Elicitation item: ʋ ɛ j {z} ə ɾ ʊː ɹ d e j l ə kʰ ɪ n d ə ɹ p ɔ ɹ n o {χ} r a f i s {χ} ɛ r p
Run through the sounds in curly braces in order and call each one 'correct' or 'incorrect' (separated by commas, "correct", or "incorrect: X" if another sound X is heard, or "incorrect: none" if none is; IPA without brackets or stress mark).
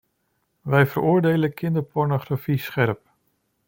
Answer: incorrect: v, correct, correct